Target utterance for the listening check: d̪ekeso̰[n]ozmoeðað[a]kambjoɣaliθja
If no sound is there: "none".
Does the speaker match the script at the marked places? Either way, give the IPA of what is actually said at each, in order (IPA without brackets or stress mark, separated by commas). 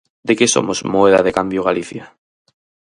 m, e